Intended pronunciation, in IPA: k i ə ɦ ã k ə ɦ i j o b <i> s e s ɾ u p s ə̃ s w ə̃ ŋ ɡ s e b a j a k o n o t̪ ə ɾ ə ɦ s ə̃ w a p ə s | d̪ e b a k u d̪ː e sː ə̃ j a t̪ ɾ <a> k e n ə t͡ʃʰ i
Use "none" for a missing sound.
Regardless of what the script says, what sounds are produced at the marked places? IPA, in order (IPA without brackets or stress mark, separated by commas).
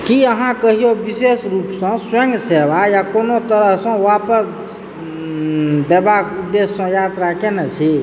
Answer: i, a